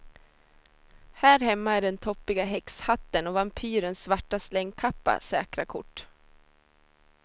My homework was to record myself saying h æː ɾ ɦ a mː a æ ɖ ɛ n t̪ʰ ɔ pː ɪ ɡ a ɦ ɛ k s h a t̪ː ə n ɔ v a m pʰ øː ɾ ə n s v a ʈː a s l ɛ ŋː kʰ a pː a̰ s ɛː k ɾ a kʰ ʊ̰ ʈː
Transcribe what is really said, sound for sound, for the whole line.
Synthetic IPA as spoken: h æː ɾ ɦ ɛ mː a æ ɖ ɛ n t̪ʰ ɔ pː ɪ ɡ a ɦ ɛ k s h a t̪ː ə n ɔ v a m pʰ yː ɾ ə n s v a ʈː a s l ɛ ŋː kʰ a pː a̰ s ɛː k ɾ a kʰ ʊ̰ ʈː